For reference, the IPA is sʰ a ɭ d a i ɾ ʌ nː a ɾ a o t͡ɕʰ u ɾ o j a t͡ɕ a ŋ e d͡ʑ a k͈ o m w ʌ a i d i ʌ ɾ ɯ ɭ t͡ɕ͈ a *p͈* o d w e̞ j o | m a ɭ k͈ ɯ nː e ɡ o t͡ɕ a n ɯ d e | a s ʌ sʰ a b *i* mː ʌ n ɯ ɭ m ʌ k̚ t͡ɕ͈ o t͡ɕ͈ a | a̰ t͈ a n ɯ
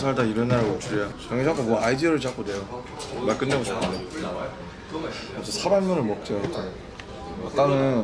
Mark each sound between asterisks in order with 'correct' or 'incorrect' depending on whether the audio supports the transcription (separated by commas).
incorrect, incorrect